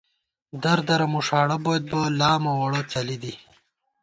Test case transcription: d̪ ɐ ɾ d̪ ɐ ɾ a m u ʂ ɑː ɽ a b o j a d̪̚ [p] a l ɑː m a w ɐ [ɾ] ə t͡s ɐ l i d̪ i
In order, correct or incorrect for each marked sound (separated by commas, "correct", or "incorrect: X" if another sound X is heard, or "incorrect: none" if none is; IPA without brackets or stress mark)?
incorrect: b, incorrect: ɽ